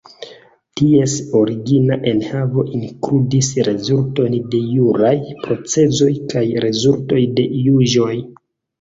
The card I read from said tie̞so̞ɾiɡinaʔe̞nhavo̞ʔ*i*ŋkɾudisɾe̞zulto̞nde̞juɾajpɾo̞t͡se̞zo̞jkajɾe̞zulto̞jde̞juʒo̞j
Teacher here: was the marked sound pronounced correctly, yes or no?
yes